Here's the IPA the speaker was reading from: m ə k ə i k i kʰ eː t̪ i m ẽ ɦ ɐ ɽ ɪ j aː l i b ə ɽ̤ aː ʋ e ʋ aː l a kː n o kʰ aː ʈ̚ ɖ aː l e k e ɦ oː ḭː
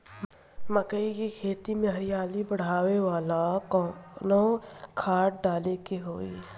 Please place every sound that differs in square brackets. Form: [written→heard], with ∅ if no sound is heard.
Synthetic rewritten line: m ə k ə i k i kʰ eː t̪ i m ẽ ɦ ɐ [ɽ→ɾ] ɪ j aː l i b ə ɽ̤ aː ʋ e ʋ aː l a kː n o kʰ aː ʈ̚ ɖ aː l e k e ɦ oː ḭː